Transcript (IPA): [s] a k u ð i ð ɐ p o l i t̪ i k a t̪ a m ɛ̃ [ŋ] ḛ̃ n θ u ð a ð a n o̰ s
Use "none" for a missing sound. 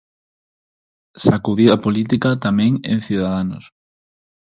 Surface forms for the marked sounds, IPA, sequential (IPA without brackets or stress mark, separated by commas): s, ŋ